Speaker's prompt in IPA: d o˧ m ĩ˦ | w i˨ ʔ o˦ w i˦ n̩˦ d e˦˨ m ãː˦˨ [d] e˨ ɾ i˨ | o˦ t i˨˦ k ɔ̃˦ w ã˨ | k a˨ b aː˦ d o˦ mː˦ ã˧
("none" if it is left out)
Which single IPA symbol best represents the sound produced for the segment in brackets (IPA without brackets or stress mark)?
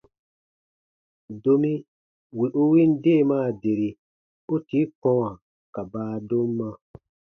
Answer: d